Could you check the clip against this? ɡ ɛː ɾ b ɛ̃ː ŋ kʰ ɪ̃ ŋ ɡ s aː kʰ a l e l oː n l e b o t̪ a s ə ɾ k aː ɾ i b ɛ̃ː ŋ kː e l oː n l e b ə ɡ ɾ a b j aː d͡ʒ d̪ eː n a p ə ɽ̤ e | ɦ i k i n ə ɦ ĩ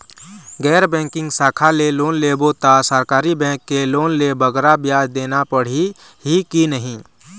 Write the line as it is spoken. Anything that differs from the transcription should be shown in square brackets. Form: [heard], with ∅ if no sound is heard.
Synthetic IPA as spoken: ɡ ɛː ɾ b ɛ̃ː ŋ [k] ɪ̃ ŋ ɡ s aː kʰ a l e l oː n l e b o t̪ a s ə ɾ k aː ɾ i b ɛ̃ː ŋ kː e l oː n l e b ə ɡ ɾ a b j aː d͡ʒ d̪ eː n a p ə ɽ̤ [i] | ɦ i k i n ə ɦ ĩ

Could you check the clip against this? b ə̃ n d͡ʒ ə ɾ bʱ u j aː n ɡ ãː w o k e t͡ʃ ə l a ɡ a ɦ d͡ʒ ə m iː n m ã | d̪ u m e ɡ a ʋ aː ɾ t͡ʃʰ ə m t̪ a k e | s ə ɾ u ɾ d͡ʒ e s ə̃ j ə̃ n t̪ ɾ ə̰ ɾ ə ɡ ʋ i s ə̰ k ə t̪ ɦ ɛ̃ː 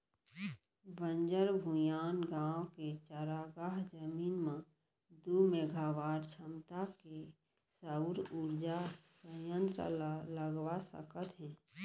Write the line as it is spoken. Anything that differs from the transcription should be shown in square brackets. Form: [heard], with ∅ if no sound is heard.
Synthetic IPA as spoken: b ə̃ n d͡ʒ ə ɾ bʱ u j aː n ɡ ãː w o k e t͡ʃ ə [ɾ] a ɡ a ɦ d͡ʒ ə m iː n m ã | d̪ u m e ɡ a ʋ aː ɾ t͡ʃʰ ə m t̪ a k e | s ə ɾ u ɾ d͡ʒ [a] s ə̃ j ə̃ n t̪ ɾ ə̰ [l] ə ɡ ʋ [a] s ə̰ k ə t̪ ɦ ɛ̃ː

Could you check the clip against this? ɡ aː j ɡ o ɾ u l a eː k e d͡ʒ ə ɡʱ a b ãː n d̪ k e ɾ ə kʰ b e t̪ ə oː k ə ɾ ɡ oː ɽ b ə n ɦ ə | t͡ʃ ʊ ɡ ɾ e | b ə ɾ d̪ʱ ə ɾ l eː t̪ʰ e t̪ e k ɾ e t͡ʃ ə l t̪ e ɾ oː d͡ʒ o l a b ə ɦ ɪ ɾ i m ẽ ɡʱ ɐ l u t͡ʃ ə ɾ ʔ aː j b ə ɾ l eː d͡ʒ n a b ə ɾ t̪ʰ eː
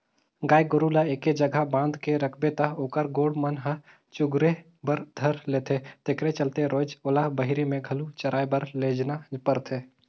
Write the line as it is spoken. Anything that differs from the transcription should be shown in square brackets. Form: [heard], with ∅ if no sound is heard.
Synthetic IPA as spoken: ɡ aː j ɡ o ɾ u l a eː k e d͡ʒ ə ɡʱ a b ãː n d̪ k e ɾ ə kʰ b e t̪ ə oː k ə ɾ ɡ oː ɽ [m] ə n ɦ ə | t͡ʃ ʊ ɡ ɾ e | b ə ɾ d̪ʱ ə ɾ l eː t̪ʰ e t̪ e k ɾ e t͡ʃ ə l t̪ e ɾ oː d͡ʒ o l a b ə ɦ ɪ ɾ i m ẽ ɡʱ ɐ l u t͡ʃ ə ɾ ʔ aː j b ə ɾ l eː d͡ʒ n a [p] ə ɾ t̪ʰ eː

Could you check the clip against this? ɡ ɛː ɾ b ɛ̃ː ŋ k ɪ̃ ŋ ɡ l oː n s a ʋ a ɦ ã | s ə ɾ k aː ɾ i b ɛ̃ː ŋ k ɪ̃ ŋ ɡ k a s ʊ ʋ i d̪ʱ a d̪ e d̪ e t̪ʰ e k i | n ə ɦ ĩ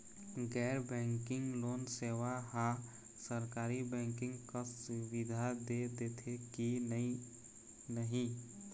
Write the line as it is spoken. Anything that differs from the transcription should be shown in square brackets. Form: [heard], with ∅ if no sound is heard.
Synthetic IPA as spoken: ɡ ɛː ɾ b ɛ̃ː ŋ k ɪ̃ ŋ ɡ l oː n s [e] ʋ a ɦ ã | s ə ɾ k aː ɾ i b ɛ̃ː ŋ k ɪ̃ ŋ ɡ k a s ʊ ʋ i d̪ʱ a d̪ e d̪ e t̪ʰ e k i | n ə ɦ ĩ

